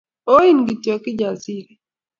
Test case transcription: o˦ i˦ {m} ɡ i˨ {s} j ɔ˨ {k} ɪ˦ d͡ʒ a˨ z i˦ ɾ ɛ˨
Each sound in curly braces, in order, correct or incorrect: incorrect: n, incorrect: t, correct

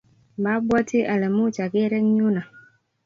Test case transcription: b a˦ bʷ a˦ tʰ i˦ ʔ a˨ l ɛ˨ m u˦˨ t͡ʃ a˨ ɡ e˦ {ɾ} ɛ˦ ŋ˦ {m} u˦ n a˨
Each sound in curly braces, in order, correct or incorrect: correct, incorrect: ɲ

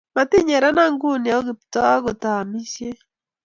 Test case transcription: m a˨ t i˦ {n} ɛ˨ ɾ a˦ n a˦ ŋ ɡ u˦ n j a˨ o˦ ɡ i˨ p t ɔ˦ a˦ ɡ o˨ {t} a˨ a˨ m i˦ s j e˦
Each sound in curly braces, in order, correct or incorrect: incorrect: ɲ, correct

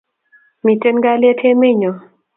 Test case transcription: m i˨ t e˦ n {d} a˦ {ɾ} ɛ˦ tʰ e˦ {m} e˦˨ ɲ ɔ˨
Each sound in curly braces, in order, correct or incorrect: incorrect: ɡ, incorrect: l, correct

